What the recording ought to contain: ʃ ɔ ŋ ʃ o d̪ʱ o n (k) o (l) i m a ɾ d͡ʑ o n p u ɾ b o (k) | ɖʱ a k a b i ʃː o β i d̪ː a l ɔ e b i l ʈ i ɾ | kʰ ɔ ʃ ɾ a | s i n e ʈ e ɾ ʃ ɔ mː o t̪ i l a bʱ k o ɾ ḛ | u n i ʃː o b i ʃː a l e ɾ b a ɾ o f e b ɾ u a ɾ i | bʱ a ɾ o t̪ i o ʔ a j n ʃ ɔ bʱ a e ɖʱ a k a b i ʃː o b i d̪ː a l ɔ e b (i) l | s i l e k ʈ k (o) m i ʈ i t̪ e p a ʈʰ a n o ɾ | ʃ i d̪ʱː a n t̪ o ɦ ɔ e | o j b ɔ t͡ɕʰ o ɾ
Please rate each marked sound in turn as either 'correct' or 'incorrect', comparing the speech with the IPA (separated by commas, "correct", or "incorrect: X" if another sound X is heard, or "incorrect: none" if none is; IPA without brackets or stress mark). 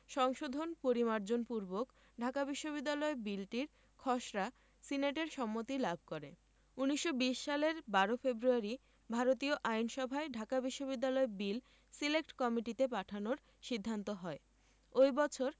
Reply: incorrect: p, incorrect: ɾ, correct, correct, incorrect: ɔ